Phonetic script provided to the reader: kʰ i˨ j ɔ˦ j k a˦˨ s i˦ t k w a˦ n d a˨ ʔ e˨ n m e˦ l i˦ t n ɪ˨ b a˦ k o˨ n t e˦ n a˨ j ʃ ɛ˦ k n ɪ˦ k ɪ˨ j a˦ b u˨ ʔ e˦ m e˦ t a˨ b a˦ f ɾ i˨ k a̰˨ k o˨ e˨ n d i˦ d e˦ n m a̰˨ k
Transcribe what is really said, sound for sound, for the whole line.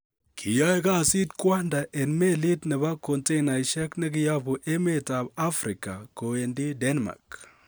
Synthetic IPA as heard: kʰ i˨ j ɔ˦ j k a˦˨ s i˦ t k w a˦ n d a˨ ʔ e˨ n m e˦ l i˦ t n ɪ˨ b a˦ k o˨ n t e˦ n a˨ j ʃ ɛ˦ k n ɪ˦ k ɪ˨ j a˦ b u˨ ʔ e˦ m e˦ t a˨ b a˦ f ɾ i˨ k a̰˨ k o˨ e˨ n d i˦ d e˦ n m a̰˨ k